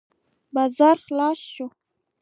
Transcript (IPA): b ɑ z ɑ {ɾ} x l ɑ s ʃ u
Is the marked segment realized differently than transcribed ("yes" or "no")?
no